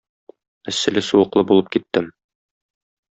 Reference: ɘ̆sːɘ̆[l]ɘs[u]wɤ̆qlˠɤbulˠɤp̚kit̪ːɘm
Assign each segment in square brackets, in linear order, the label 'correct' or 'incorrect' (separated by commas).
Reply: correct, correct